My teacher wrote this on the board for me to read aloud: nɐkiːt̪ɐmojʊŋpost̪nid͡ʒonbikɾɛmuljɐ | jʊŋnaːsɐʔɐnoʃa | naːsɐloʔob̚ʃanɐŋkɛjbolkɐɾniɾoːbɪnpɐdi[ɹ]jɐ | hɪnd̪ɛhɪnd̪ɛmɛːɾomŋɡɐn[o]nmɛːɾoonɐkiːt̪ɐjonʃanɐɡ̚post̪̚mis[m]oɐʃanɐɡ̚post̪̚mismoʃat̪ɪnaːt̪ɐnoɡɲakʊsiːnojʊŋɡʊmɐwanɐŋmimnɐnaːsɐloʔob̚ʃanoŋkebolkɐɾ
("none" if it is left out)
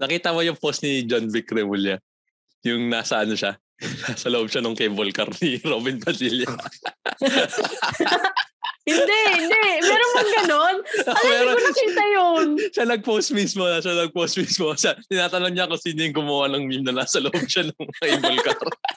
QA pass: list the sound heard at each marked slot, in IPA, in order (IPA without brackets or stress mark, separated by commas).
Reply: l, o, m